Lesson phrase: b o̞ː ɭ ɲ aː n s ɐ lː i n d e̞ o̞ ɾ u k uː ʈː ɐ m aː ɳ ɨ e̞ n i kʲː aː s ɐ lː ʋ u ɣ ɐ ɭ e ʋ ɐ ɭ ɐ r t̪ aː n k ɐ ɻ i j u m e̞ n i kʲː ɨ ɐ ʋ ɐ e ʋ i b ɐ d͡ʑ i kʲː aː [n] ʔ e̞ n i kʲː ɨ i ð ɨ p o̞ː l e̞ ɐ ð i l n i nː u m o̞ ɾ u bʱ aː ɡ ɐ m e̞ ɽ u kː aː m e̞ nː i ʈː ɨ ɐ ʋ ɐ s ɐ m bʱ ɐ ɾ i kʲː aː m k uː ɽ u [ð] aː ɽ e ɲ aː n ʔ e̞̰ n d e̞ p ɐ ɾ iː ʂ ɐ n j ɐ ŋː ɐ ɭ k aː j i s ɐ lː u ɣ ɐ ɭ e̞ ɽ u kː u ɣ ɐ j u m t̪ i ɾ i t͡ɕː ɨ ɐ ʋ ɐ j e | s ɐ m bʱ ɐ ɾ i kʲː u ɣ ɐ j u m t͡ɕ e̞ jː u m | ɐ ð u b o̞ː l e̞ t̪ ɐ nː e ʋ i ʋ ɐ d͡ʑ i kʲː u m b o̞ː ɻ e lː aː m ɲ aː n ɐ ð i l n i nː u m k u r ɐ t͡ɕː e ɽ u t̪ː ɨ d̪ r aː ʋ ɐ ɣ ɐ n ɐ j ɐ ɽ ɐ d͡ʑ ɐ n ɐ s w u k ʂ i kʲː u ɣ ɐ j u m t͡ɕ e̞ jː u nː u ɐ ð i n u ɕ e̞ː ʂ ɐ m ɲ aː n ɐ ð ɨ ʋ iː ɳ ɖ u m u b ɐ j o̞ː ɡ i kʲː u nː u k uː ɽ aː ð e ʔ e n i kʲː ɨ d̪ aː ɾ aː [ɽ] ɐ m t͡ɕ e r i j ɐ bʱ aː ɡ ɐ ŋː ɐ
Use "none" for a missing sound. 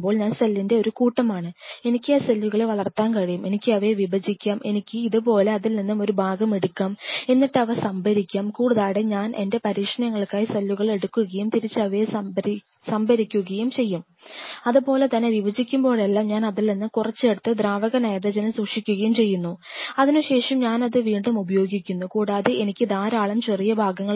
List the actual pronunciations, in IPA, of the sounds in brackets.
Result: m, ð, ɭ

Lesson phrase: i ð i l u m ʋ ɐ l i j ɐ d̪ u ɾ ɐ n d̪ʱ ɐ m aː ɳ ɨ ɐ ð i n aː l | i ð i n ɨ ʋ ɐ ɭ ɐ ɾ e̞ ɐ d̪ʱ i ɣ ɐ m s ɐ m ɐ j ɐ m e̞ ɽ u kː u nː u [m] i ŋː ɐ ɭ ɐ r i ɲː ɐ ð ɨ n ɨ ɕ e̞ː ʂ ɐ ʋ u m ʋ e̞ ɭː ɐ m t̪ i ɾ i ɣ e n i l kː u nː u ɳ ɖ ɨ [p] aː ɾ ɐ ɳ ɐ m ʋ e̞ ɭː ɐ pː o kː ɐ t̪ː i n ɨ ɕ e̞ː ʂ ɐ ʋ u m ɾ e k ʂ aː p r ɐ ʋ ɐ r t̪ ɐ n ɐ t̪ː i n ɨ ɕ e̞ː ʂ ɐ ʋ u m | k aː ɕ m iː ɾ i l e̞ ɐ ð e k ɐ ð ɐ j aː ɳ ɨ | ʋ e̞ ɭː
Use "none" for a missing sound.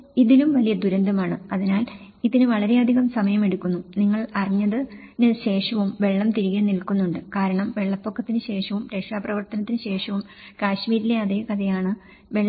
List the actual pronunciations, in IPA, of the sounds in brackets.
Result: n, k

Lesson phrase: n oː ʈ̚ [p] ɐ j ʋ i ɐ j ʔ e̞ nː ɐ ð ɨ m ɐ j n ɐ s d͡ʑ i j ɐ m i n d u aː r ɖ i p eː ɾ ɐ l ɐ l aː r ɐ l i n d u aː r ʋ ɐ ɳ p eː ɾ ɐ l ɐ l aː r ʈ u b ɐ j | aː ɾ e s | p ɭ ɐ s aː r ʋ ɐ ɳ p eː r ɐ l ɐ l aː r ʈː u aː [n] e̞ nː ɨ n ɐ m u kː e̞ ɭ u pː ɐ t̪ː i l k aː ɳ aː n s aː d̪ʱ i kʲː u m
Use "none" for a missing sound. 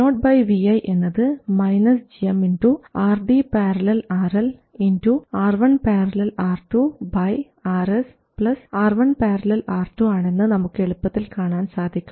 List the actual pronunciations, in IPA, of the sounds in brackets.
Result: b, ɳ

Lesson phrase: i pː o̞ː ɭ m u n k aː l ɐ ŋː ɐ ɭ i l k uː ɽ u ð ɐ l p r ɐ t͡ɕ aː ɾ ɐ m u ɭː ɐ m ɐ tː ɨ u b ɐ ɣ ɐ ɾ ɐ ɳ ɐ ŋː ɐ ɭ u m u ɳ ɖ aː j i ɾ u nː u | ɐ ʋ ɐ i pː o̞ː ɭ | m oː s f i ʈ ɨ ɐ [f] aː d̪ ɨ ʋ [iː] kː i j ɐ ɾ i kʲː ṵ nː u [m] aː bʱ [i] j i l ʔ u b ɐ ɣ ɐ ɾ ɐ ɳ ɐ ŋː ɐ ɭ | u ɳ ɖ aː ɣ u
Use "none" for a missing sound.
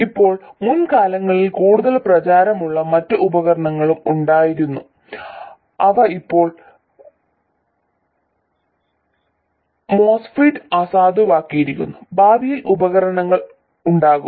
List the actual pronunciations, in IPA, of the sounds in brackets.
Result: s, aː, b, i

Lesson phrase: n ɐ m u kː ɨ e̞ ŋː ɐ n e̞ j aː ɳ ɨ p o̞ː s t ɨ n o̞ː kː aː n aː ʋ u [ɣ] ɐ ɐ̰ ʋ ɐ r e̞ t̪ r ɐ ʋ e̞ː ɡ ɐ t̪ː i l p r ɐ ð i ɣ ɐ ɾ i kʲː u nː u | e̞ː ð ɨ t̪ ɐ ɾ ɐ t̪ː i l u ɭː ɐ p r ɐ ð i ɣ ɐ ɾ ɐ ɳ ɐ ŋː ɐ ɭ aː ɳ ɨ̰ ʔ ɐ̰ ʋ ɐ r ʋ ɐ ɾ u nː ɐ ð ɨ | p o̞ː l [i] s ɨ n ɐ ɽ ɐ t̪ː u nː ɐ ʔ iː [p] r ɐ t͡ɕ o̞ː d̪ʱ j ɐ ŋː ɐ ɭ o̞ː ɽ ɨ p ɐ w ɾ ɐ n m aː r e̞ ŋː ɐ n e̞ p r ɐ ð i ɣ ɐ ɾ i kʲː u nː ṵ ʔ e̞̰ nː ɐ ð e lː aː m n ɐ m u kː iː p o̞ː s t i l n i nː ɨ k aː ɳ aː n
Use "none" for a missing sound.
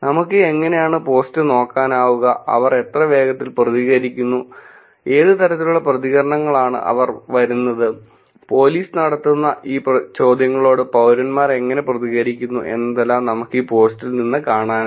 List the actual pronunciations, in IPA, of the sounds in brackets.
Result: ɣ, iː, p

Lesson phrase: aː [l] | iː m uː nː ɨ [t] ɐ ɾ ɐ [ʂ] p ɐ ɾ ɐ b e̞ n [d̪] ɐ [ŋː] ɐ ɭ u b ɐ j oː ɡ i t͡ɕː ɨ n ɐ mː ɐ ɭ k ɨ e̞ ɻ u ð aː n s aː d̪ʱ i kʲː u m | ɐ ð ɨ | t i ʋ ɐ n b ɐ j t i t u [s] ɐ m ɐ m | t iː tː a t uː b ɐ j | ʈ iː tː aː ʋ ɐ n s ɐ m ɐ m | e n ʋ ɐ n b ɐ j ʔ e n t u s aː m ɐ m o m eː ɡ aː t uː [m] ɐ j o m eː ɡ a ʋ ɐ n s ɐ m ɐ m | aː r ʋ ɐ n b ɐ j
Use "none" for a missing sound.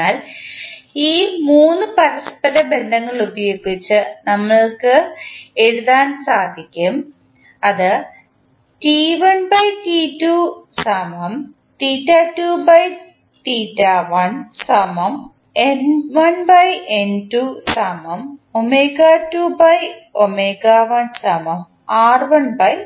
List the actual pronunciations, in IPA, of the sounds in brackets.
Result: l, p, s, d̪, ŋː, s, b

